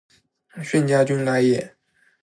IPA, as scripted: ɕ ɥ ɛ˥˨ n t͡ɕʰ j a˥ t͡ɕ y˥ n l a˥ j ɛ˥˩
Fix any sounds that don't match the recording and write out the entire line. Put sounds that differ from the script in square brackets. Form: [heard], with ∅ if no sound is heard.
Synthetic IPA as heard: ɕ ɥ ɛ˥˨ n [t͡ɕ] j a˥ t͡ɕ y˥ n l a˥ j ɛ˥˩

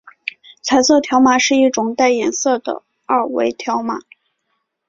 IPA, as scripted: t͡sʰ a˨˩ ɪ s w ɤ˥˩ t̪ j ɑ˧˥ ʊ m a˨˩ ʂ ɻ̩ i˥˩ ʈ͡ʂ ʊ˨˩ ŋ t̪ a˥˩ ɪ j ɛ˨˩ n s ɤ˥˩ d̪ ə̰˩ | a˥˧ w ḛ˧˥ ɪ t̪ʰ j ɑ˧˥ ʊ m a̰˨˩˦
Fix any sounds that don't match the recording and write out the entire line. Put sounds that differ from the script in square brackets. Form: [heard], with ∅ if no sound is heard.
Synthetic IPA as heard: t͡sʰ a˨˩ ɪ s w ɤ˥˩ [t̪ʰ] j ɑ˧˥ ʊ m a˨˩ ʂ ɻ̩ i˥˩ ʈ͡ʂ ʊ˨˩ ŋ t̪ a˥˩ ɪ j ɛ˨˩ n s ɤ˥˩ d̪ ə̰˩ | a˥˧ w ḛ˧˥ ɪ t̪ʰ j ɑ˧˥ ʊ m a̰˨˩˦

